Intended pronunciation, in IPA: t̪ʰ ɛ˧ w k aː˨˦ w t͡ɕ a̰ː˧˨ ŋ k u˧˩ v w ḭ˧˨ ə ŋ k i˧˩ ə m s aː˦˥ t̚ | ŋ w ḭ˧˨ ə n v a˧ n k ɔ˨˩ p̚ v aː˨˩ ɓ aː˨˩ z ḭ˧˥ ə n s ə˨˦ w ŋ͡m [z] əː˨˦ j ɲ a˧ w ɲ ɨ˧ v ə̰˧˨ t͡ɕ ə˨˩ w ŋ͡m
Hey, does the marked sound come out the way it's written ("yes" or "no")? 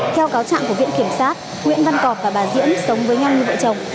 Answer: no